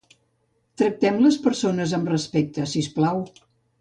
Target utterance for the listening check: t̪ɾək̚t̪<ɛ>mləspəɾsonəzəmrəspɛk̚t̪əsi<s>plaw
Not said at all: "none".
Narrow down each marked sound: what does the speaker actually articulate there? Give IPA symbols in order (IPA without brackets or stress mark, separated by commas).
ɛ, s